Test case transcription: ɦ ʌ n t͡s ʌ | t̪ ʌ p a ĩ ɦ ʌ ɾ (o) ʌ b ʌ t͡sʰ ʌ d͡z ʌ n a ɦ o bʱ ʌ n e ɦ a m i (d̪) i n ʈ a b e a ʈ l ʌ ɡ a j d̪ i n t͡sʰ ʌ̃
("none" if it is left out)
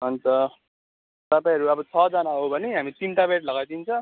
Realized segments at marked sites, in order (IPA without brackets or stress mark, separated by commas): u, t̪